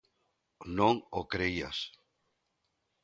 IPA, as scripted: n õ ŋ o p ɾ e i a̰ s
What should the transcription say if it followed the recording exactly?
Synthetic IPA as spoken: n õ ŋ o k ɾ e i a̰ s